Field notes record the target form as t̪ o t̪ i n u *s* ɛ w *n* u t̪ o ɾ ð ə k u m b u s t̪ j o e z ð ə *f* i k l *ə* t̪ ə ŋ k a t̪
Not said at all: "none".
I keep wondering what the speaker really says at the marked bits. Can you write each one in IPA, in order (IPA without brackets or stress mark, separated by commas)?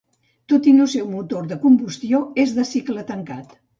s, m, s, ə